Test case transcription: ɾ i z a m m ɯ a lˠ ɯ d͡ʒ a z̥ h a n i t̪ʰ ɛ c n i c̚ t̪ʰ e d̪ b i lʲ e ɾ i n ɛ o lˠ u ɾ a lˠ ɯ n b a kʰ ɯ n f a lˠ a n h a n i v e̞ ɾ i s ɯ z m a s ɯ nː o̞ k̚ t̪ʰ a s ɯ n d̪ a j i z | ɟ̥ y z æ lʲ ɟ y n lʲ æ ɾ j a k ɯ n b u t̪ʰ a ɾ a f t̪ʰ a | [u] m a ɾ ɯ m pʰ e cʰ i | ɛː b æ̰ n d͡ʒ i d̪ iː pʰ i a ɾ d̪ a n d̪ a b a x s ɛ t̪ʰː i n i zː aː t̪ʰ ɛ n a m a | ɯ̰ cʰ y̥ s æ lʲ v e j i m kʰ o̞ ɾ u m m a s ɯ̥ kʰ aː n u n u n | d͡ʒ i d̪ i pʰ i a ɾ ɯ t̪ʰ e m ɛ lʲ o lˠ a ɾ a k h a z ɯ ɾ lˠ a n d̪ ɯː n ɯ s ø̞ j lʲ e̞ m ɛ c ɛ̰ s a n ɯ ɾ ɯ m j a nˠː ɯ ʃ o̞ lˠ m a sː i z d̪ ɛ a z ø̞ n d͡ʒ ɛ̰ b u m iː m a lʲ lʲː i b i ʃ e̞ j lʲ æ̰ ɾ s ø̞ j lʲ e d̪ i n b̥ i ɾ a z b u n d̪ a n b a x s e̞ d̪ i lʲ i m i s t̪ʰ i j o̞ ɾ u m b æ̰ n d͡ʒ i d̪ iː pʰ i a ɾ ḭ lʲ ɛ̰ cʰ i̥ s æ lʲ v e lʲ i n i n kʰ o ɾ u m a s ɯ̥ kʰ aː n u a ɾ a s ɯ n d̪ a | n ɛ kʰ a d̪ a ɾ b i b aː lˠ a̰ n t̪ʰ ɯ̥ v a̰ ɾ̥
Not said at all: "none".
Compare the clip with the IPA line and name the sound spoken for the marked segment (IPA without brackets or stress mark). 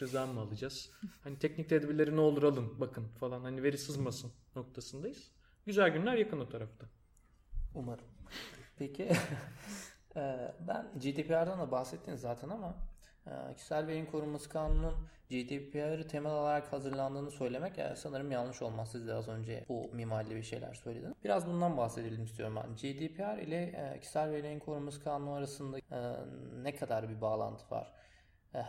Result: u